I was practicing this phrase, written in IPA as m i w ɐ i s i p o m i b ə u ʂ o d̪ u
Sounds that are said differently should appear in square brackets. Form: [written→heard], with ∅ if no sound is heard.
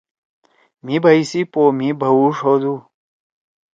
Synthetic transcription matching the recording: m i [w→b] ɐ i s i p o m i b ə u ʂ o d̪ u